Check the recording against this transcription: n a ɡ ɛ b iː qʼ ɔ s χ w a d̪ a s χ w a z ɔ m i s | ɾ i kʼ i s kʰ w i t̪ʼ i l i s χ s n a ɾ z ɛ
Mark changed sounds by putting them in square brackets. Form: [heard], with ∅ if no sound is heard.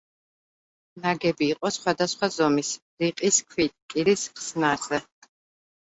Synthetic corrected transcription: n a ɡ ɛ b iː qʼ ɔ s χ w a d̪ a s χ w a z ɔ m i s | ɾ i [qʼ] i s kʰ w i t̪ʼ i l i s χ s n a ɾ z ɛ